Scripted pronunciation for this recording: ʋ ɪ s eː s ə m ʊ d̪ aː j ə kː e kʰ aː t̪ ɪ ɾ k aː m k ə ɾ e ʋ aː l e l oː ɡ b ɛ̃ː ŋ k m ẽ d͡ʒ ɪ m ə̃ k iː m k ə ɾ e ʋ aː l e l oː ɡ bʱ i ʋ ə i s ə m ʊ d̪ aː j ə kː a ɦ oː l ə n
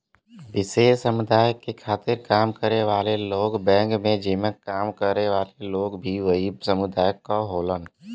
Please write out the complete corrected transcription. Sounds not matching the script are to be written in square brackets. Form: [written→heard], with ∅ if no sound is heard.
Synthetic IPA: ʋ ɪ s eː s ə m ʊ d̪ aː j ə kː e kʰ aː t̪ ɪ ɾ k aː m k ə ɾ e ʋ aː l e l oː ɡ b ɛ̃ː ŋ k m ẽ d͡ʒ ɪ m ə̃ k [iː→aː] m k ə ɾ e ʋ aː l e l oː ɡ bʱ i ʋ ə i s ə m ʊ d̪ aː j ə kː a ɦ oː l ə n